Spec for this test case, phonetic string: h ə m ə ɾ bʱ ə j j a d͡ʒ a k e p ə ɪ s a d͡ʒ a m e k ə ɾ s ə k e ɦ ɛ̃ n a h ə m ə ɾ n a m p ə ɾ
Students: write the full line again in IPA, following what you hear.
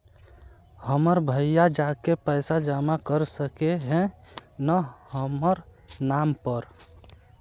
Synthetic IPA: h ə m ə ɾ bʱ ə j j a d͡ʒ a k e p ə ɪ s a d͡ʒ a m a k ə ɾ s ə k e ɦ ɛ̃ n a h ə m ə ɾ n a m p ə ɾ